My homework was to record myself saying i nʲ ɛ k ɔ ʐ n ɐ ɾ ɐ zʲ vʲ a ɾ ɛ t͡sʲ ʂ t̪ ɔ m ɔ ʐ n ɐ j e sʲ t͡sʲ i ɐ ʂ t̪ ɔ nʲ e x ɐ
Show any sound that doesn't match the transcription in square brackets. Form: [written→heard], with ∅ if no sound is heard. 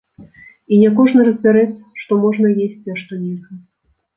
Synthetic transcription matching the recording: i nʲ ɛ k ɔ ʐ n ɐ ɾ ɐ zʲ [vʲ→bʲ] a ɾ ɛ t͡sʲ ʂ t̪ ɔ m ɔ ʐ n ɐ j e sʲ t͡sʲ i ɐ ʂ t̪ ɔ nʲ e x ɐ